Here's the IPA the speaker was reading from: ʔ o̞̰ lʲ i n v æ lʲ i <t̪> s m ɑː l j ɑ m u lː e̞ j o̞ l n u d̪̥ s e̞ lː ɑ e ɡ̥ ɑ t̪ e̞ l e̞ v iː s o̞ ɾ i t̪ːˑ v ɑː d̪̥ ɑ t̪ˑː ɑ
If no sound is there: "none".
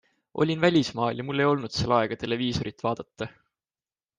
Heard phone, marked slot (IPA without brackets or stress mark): none